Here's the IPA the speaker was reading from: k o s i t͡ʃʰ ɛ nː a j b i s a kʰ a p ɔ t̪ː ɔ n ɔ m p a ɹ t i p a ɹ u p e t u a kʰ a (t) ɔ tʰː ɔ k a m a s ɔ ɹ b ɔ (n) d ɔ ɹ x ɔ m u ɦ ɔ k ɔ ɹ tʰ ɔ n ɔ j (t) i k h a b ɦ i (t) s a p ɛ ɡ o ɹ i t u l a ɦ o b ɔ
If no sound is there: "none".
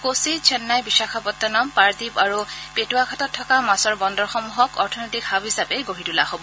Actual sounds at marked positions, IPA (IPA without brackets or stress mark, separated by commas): t, n, t, none